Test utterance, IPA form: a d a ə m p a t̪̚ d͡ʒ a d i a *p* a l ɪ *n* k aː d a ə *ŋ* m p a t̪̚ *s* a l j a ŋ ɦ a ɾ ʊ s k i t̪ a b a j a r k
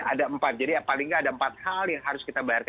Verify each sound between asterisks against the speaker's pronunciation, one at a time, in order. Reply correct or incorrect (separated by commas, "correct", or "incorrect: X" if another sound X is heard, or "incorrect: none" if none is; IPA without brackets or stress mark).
correct, incorrect: ŋ, incorrect: none, incorrect: h